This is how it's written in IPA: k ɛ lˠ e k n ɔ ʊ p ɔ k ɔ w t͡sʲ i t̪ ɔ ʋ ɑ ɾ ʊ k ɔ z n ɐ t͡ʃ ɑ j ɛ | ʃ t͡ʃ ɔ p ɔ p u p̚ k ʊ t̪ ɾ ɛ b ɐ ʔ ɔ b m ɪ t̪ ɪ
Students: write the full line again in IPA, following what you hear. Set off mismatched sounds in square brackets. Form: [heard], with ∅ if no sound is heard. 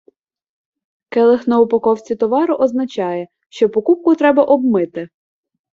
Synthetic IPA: k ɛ lˠ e [x] n ɔ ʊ p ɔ k ɔ w t͡sʲ i t̪ ɔ ʋ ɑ ɾ ʊ [ʔ] ɔ z n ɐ t͡ʃ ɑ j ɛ | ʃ t͡ʃ ɔ p ɔ [k] u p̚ k ʊ t̪ ɾ ɛ b ɐ ʔ ɔ b m ɪ t̪ ɪ